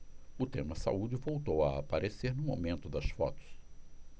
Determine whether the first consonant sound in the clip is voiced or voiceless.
voiceless